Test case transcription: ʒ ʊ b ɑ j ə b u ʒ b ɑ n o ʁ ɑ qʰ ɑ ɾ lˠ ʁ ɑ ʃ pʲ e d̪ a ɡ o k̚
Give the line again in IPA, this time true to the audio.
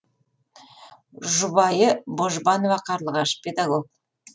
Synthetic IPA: ʒ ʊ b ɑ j ə b o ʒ b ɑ n o v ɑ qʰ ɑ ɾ lˠ ʁ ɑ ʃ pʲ e d̪ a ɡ o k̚